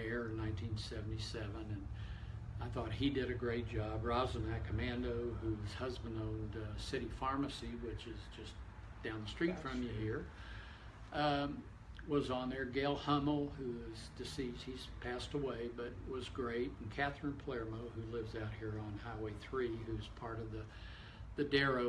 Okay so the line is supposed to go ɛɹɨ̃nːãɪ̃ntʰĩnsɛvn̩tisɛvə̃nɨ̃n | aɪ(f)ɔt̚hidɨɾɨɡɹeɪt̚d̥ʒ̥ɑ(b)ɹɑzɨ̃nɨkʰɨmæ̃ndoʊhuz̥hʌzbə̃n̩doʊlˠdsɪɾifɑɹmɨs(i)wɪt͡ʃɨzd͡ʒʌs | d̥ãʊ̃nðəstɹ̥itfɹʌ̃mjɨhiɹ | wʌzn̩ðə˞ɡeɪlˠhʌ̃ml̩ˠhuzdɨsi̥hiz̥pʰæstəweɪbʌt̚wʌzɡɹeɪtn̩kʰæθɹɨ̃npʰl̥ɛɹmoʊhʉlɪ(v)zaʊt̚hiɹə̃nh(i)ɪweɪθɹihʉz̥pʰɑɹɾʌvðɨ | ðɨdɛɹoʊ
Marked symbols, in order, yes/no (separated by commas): no, yes, yes, yes, no